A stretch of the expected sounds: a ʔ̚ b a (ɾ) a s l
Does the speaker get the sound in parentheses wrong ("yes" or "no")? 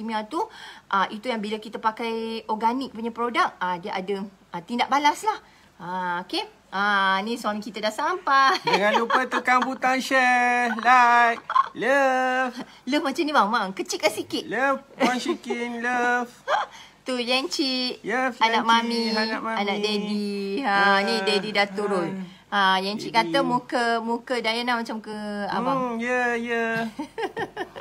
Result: yes